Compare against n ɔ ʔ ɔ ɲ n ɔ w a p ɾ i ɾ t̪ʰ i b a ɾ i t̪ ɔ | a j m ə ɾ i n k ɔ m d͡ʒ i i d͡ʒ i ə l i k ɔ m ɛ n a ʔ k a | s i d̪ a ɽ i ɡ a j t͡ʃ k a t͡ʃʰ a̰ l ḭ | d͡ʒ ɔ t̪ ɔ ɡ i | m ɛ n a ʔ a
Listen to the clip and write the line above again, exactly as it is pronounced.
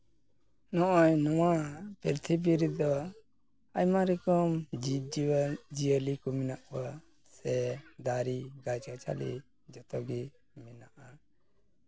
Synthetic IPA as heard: n ɔ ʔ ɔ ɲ n ɔ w a p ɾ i ɾ t̪ʰ i b i ɾ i d̪ ɔ | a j m a ɾ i k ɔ m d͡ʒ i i d͡ʒ i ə l i k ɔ m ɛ n a ʔ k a | s ɛ d̪ a ɾ i ɡ a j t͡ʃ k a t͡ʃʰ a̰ l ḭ | d͡ʒ ɔ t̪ ɔ ɡ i | m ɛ n a ʔ a

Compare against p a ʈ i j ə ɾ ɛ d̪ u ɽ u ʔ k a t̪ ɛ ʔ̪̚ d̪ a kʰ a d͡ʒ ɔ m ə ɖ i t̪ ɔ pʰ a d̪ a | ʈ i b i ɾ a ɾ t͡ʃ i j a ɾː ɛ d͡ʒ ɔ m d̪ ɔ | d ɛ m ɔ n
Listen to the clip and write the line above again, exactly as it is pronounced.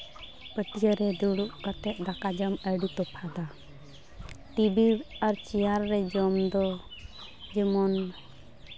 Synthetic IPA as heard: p ə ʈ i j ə ɾ ɛ d̪ u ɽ u ʔ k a t̪ ɛ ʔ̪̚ d̪ a k a d͡ʒ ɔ m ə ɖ i t̪ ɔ pʰ a d̪ a | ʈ i b i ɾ a ɾ t͡ʃ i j a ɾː ɛ d͡ʒ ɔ m d̪ ɔ | d͡ʒ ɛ m ɔ n

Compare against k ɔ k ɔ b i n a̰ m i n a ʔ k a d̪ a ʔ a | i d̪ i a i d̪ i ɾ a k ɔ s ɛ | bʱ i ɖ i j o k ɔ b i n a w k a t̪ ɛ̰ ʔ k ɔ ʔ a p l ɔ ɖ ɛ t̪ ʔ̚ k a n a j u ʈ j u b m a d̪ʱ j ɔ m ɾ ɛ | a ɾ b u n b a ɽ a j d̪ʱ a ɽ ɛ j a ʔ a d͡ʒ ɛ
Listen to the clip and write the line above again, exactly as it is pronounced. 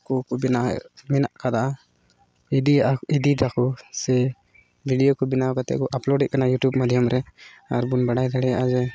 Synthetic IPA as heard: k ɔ k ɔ b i n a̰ m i n a ʔ k a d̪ a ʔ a | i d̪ i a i d̪ i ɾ a k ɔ s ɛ | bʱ i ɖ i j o k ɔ b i n a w k a t̪ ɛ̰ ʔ k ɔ ʔ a p l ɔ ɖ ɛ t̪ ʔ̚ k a n a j u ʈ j u b m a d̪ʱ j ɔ m ɾ ɛ | a ɾ b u n b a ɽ a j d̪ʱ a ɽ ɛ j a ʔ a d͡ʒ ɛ

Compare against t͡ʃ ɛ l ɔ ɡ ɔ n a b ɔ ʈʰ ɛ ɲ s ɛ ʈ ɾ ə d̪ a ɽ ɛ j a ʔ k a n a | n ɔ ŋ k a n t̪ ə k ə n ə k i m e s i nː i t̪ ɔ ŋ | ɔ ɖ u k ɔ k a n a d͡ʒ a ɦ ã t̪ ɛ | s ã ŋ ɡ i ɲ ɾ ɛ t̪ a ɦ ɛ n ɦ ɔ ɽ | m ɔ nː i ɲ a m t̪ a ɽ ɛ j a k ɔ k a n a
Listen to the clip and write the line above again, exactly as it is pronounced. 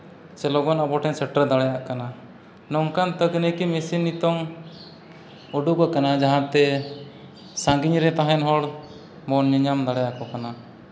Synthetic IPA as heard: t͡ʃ ɛ l ɔ ɡ ɔ n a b ɔ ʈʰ ɛ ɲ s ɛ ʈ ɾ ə d̪ a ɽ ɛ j a ʔ k a n a | n ɔ ŋ k a n t̪ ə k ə n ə k i m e s i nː i t̪ ɔ ŋ | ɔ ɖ u k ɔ k a n a d͡ʒ a ɦ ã t̪ ɛ | s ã ŋ ɡ i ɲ ɾ ɛ t̪ a ɦ ɛ n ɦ ɔ ɽ | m ɔ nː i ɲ a m d̪ a ɽ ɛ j a k ɔ k a n a

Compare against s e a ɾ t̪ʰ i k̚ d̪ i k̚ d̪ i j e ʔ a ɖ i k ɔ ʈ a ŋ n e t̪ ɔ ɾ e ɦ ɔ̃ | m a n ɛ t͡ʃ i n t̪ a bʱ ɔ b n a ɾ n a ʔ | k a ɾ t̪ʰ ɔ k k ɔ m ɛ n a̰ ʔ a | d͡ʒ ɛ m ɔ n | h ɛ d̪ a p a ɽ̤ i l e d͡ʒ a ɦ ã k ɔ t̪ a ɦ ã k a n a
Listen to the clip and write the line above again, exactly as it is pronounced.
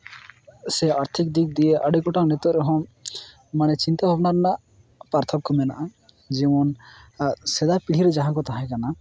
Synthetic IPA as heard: s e a ɾ t̪ʰ i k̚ d̪ i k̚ d̪ i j e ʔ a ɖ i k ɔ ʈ a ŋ n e t̪ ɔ ɾ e ɦ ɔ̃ | m a n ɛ t͡ʃ i n t̪ a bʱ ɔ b n a ɾ n a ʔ | p a ɾ t̪ʰ ɔ k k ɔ m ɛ n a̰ ʔ a | d͡ʒ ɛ m ɔ n | s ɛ d̪ a p i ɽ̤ i ɾ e d͡ʒ a ɦ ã k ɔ t̪ a ɦ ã k a n a

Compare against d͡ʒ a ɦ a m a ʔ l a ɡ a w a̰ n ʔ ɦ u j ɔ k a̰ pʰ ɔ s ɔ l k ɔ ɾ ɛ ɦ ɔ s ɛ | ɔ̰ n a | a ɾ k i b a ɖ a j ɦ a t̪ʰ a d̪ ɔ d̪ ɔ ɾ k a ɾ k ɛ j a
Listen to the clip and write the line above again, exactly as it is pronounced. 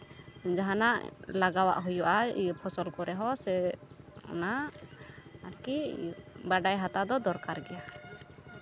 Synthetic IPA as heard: d͡ʒ a ɦ a n a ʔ l a ɡ a w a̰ ʔ ɦ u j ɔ ʔ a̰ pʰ ɔ s ɔ l k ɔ ɾ ɛ ɦ ɔ s ɛ | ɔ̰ n a | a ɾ k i b a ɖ a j ɦ a t̪ a d̪ ɔ d̪ ɔ ɾ k a ɾ ɡ ɛ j a

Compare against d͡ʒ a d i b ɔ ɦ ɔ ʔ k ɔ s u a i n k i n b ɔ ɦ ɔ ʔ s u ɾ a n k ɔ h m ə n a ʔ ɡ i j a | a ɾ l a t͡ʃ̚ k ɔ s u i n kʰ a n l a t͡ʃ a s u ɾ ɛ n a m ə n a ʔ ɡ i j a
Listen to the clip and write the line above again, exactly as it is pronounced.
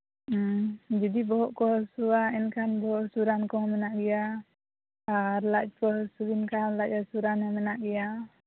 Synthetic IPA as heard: d͡ʒ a d i b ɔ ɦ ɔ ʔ k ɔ s u a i n k a n b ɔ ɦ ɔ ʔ s u ɾ a n k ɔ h m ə n a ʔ ɡ i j a | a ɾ l a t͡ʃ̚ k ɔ s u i n k a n l a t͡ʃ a s u ɾ a n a m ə n a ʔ ɡ i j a

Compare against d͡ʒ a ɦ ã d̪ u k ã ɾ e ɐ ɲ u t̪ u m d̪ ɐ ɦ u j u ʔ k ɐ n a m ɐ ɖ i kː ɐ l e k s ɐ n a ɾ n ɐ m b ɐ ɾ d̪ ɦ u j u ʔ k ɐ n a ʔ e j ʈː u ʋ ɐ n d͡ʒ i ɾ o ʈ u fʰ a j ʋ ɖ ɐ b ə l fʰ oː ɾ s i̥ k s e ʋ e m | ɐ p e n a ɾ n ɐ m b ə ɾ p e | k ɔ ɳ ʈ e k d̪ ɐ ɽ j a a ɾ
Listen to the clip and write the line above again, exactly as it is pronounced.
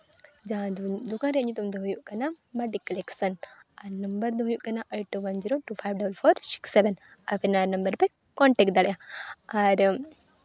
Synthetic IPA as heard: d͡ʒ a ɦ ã d̪ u k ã ɾ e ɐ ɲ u t̪ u m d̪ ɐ ɦ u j u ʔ k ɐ n a m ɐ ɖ i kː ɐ l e k s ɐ n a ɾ n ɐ m b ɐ ɾ d̪ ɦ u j u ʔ k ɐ n a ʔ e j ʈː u ʋ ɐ n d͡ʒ i ɾ o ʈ u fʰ a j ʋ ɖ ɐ b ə l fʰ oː ɾ s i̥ k s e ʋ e n | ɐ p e n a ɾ n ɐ m b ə ɾ p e | k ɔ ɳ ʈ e k d̪ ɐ ɽ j a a ɾ

